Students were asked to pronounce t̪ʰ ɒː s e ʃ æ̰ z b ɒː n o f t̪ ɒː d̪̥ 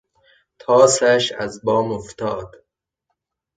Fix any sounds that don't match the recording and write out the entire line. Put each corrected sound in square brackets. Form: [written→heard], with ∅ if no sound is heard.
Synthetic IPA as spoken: t̪ʰ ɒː s [e→æ] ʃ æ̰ z b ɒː [n→m] o f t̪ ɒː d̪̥